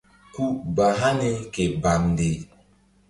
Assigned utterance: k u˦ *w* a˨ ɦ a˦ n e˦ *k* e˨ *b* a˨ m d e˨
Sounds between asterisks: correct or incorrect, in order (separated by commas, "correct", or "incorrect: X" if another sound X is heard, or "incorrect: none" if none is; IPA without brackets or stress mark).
incorrect: b, correct, correct